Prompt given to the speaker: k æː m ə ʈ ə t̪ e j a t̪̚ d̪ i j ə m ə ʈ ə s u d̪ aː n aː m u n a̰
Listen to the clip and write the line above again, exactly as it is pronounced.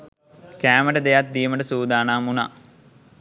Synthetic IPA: k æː m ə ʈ ə d̪ e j a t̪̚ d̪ i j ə m ə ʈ ə s uː d̪ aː n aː m u n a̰

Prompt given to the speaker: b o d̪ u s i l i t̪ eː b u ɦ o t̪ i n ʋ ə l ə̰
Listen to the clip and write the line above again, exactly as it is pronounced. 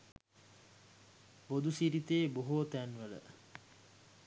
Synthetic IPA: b o d̪ u s i ɾ i t̪ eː b o ɦ o t̪ æ n ʋ ə l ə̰

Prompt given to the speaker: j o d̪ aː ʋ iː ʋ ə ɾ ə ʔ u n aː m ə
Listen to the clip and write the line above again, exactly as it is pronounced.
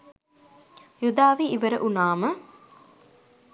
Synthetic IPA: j u d̪ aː ʋ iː ʋ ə ɾ ə ʔ u n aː m ə

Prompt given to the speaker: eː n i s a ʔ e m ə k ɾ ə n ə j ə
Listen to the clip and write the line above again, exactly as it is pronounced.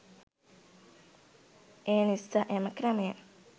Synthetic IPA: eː n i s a ʔ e m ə k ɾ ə m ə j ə

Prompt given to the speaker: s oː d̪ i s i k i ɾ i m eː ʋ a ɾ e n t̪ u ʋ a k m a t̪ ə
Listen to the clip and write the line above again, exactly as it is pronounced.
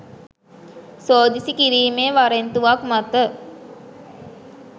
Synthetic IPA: s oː d̪ i s i k i ɾ iː m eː ʋ a ɾ e n t̪ u ʋ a k m a t̪ ə

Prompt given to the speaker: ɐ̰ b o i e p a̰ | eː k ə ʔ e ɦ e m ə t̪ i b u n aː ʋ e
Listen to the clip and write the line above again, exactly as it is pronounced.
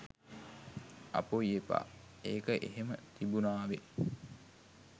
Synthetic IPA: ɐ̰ p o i e p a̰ | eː k ə ʔ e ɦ e m ə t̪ i b u n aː ʋ e

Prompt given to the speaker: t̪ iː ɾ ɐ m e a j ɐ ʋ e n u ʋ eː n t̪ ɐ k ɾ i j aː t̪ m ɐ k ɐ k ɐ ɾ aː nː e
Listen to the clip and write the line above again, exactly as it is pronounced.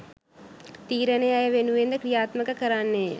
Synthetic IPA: t̪ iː ɾ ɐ n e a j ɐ ʋ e n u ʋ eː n d̪ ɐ k ɾ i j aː t̪ m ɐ k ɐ k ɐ ɾ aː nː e

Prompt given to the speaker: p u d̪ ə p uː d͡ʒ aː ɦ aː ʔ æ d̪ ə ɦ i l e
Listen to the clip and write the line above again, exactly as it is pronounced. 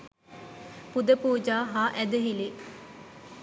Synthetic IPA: p u d̪ ə p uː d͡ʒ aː ɦ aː ʔ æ d̪ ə ɦ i l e

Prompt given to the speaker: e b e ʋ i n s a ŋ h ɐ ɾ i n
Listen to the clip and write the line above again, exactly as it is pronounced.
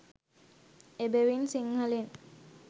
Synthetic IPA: e b e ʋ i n s i ŋ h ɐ l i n

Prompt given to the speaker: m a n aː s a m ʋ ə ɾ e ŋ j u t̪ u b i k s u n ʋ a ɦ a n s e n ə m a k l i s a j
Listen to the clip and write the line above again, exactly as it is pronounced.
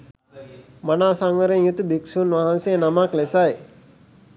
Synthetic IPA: m a n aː s a ŋ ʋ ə ɾ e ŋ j u t̪ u b i k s u n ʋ a ɦ a n s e n a m a k l e s a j

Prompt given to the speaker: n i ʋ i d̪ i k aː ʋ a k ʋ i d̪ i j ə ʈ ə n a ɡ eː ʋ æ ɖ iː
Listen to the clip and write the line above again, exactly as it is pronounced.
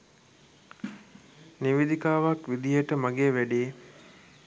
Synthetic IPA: n i ʋ i d̪ i k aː ʋ a k ʋ i d̪ i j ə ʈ ə m a ɡ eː ʋ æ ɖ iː

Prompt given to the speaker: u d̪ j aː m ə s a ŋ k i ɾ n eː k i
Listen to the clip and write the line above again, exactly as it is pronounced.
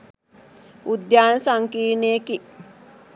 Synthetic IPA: u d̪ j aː n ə s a ŋ k iː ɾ n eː k i

